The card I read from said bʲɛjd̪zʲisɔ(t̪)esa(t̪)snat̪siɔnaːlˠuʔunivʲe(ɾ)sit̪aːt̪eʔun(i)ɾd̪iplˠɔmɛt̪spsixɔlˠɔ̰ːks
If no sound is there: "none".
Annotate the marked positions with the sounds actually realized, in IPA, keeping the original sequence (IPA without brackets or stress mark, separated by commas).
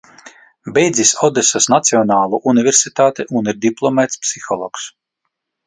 d̪, none, ɾ, i